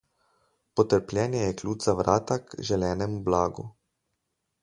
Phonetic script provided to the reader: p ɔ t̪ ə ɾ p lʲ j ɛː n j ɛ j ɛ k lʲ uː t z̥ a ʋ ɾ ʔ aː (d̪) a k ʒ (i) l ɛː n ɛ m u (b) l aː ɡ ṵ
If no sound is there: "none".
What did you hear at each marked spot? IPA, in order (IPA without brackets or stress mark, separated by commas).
t̪, ɛ, b